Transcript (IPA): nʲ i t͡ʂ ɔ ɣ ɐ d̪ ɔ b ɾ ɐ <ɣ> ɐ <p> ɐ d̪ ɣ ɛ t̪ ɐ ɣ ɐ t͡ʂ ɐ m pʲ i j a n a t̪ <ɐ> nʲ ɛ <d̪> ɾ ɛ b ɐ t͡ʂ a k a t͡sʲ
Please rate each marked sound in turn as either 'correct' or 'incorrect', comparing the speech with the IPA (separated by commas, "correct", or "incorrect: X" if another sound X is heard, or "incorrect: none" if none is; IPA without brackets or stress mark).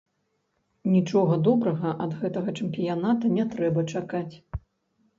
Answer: correct, incorrect: ʔ, correct, incorrect: t̪